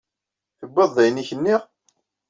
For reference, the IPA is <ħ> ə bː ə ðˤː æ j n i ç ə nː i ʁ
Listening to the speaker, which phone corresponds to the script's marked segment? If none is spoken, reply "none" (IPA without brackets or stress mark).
θ